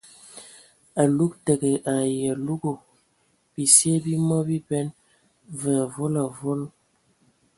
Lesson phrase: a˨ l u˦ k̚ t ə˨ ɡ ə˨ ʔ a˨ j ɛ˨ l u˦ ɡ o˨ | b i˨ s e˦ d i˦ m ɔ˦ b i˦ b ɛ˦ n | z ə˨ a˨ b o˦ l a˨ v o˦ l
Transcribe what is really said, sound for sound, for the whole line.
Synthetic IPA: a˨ l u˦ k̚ t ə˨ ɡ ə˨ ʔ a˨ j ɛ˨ l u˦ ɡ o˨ | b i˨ s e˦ b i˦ m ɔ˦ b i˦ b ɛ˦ n | v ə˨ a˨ v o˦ l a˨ v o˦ l